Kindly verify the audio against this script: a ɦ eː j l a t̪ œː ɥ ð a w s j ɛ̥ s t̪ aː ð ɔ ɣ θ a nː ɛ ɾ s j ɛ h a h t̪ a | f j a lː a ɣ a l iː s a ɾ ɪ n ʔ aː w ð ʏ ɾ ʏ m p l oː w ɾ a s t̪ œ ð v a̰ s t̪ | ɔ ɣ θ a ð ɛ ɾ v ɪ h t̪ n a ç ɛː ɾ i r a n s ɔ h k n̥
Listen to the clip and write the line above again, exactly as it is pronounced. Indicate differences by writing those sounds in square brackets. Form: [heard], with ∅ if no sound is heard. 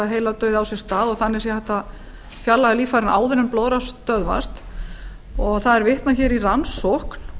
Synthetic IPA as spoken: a ɦ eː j l a t̪ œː ɥ ð a w s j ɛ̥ s t̪ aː ð ɔ ɣ θ a nː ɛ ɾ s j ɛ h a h t̪ a | f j a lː a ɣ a l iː [f] a ɾ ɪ n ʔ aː w ð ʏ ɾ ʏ m p l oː w ɾ a s t̪ œ ð v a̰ s t̪ | ɔ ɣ θ a ð ɛ ɾ v ɪ h t̪ n a ç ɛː ɾ i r a n s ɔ h k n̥